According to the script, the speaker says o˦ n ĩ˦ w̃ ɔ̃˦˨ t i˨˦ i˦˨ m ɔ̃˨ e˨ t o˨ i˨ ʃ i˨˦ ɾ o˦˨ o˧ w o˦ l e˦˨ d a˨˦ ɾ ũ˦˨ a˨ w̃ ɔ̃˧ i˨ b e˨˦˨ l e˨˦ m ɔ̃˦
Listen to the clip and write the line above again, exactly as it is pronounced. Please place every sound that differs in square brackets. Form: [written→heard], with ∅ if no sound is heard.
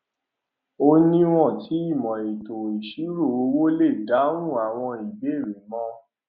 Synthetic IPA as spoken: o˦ n ĩ˦ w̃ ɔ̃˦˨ t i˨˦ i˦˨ m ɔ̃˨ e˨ t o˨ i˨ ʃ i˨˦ ɾ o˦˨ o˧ w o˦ l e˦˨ d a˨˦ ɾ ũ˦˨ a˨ w̃ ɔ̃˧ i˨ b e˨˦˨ [l→ɾ] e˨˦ m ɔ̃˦

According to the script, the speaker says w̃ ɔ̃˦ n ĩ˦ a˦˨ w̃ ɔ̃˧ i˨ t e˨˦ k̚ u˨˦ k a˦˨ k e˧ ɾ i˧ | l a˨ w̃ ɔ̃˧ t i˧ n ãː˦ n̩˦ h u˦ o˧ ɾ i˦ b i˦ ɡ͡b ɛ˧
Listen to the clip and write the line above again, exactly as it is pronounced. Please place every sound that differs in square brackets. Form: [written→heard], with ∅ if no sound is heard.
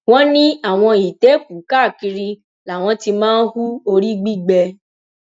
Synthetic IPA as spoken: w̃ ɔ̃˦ n ĩ˦ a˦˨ w̃ ɔ̃˧ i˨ t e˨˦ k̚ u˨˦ k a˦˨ k [e˧→i˧] ɾ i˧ | l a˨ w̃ ɔ̃˧ t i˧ [n→m] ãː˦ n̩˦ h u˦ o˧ ɾ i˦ [b→ɡ͡b] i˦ ɡ͡b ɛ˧

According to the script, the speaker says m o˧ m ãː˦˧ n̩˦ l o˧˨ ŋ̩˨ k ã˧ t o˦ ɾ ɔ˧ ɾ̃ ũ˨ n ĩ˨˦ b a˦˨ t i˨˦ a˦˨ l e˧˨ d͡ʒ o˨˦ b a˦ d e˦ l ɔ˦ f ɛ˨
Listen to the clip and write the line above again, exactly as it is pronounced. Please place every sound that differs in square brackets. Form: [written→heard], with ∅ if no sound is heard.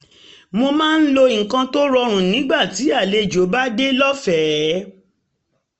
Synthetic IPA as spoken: m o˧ m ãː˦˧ n̩˦ l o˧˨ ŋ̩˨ k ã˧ t o˦ ɾ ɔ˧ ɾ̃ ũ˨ n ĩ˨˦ [b→ɡ͡b] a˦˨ t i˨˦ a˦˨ l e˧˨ d͡ʒ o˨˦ b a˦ d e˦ l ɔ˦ f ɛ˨

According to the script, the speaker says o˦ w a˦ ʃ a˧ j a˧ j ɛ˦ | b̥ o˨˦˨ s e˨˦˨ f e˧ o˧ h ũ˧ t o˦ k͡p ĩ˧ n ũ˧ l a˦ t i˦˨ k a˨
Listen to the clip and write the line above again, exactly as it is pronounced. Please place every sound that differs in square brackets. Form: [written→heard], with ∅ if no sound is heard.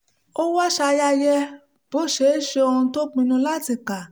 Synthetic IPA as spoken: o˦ w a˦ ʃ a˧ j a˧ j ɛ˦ | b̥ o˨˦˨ [s→ʃ] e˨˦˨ [f→ʃ] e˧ o˧ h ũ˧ t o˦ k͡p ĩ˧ n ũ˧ l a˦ t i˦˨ k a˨

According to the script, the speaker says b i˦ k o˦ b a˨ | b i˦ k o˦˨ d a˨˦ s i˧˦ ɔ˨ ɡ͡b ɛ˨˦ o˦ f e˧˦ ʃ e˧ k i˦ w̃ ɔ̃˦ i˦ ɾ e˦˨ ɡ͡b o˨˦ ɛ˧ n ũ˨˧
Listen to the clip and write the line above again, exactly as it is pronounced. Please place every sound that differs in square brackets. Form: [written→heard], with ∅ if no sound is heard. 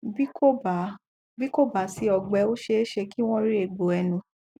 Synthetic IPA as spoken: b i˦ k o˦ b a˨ | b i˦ k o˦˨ [d→b] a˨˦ s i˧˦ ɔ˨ ɡ͡b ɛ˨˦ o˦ [f→ʃ] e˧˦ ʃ e˧ k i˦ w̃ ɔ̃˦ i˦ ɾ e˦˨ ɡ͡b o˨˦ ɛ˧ n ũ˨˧

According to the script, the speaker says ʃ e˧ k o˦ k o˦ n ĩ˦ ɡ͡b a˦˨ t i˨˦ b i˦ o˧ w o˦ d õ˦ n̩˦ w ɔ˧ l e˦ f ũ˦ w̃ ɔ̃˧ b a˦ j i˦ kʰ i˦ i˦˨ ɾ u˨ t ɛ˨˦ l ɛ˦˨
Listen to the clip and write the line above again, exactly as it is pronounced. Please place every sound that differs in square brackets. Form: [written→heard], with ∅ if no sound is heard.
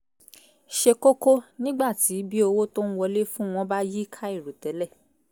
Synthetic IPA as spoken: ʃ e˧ k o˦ k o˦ n ĩ˦ ɡ͡b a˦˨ t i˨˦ b i˦ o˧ w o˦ [d→t] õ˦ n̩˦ w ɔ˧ l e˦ f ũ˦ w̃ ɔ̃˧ b a˦ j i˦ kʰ [i˦→a˦] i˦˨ ɾ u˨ t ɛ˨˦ l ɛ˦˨

